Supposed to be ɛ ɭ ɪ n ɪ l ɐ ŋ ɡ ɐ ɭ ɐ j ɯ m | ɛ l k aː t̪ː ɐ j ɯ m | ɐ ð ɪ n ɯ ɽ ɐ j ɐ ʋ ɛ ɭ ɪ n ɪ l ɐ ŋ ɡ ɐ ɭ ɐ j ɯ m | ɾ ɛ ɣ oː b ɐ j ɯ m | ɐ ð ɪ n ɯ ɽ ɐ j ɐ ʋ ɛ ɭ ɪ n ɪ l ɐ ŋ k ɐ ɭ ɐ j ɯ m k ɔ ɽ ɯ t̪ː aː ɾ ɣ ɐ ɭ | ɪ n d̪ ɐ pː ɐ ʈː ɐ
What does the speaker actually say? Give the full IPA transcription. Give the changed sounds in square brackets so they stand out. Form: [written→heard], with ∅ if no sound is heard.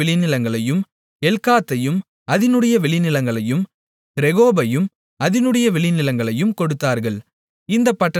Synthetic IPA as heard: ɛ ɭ ɪ n ɪ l ɐ ŋ ɡ ɐ ɭ ɐ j ɯ m | ɛ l k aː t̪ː ɐ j ɯ m | ɐ ð ɪ n ɯ ɽ ɐ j ɐ ʋ ɛ ɭ ɪ n ɪ l ɐ ŋ ɡ ɐ ɭ ɐ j ɯ m | ɾ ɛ ɣ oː b ɐ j ɯ m | ɐ ð ɪ n ɯ ɽ ɐ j ɐ ʋ ɛ ɭ ɪ n ɪ l ɐ ŋ [k→ɡ] ɐ ɭ ɐ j ɯ m k ɔ ɽ ɯ t̪ː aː ɾ ɣ ɐ ɭ | ɪ n d̪ ɐ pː ɐ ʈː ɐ

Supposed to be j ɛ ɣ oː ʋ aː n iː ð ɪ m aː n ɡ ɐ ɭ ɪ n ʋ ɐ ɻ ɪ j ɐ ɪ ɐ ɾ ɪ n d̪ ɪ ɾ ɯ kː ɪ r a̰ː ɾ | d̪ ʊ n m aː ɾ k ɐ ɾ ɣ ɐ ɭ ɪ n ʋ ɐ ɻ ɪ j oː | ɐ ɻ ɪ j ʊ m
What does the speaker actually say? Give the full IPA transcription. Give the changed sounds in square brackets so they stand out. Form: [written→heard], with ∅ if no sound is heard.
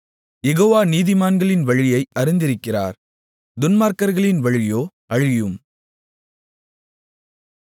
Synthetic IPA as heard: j ɛ ɣ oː ʋ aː n iː ð ɪ m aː n ɡ ɐ ɭ ɪ n ʋ ɐ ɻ ɪ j ɐ ɪ ɐ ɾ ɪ n d̪ ɪ ɾ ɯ kː ɪ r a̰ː ɾ | d̪ ʊ n m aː ɾ k ɐ ɾ ɣ ɐ ɭ ɪ n ʋ ɐ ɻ ɪ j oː | ɐ ɻ ɪ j [ʊ→ɯ] m

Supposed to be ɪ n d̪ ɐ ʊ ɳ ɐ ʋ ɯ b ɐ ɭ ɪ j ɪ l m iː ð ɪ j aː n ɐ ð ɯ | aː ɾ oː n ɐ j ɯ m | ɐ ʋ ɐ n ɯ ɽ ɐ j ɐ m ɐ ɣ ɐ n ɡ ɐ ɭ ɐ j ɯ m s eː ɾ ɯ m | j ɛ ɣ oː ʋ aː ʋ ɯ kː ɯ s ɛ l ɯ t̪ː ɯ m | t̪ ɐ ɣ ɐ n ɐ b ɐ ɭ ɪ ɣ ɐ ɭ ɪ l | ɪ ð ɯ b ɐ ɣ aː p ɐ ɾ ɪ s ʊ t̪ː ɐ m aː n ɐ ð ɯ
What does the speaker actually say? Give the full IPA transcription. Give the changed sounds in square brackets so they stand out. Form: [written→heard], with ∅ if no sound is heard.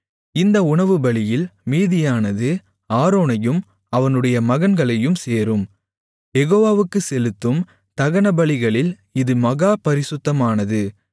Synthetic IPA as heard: ɪ n d̪ ɐ ʊ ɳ ɐ ʋ ɯ b ɐ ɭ ɪ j ɪ l m iː ð ɪ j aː n ɐ ð ɯ | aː ɾ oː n ɐ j ɯ m | ɐ ʋ ɐ n ɯ ɽ ɐ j ɐ m ɐ ɣ ɐ n ɡ ɐ ɭ ɐ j ɯ m s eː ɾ ɯ m | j ɛ ɣ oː ʋ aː ʋ ɯ kː ɯ s ɛ l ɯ t̪ː ɯ m | t̪ ɐ ɣ ɐ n ɐ b ɐ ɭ ɪ ɣ ɐ ɭ ɪ l | ɪ ð ɯ [b→m] ɐ ɣ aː p ɐ ɾ ɪ s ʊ t̪ː ɐ m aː n ɐ ð ɯ

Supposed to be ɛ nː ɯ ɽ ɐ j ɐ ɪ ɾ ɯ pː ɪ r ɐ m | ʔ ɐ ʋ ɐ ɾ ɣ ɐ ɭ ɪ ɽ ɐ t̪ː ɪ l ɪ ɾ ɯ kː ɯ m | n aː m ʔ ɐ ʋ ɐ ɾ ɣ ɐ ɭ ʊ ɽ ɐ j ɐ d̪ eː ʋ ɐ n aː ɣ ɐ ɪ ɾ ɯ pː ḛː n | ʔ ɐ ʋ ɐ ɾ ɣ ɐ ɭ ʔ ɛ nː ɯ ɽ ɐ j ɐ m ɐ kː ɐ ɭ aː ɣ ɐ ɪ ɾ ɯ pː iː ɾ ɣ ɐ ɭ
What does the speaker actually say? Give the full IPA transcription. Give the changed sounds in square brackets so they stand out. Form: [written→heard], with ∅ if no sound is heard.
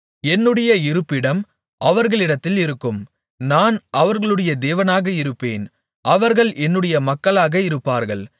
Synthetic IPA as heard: ɛ nː ɯ ɽ ɐ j ɐ ɪ ɾ ɯ pː ɪ [r→ɽ] ɐ m | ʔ ɐ ʋ ɐ ɾ ɣ ɐ ɭ ɪ ɽ ɐ t̪ː ɪ l ɪ ɾ ɯ kː ɯ m | n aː [m→n] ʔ ɐ ʋ ɐ ɾ ɣ ɐ ɭ [ʊ→ɯ] ɽ ɐ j ɐ d̪ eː ʋ ɐ n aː ɣ ɐ ɪ ɾ ɯ pː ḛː n | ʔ ɐ ʋ ɐ ɾ ɣ ɐ ɭ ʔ ɛ nː ɯ ɽ ɐ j ɐ m ɐ kː ɐ ɭ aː ɣ ɐ ɪ ɾ ɯ pː [iː→aː] ɾ ɣ ɐ ɭ

